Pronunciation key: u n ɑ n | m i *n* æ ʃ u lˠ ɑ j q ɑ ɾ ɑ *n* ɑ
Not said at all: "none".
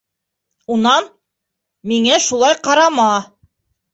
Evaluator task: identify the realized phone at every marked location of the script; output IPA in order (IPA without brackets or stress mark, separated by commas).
ŋ, m